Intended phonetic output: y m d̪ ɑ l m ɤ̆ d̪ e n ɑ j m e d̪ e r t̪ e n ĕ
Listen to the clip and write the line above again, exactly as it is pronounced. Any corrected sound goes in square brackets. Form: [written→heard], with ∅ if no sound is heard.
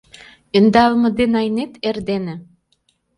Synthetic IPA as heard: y [m→n] d̪ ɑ l m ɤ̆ d̪ e n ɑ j [m→n] e [d̪→t̪] e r [t̪→d̪] e n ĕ